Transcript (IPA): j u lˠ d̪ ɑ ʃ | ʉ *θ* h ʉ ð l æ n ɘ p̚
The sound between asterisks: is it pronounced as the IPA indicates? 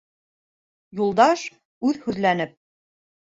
no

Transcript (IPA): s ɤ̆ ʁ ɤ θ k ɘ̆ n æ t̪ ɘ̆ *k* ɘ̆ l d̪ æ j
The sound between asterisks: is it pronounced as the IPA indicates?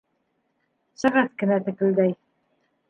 yes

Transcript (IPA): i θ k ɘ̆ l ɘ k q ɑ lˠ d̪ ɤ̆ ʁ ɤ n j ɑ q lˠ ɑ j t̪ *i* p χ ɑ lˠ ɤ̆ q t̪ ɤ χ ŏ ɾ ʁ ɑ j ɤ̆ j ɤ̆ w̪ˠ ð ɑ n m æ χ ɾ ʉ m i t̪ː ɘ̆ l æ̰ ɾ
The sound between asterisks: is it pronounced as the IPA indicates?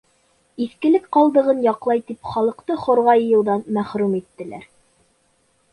yes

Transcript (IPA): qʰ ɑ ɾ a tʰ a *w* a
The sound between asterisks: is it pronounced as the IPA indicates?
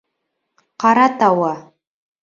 yes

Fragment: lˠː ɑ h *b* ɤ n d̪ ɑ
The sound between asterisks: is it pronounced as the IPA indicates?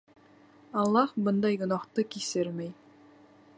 yes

